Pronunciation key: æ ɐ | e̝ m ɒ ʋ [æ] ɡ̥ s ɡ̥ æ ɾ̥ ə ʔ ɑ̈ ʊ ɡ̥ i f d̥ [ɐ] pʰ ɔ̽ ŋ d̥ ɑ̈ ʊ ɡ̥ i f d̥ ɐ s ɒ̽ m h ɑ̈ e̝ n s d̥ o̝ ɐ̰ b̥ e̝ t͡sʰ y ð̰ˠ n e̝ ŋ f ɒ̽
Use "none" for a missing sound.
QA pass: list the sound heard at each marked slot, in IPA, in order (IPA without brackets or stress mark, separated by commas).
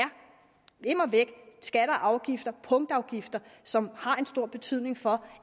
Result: e, ɐ